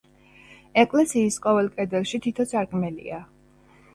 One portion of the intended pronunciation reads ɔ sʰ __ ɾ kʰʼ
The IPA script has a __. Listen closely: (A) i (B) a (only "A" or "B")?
B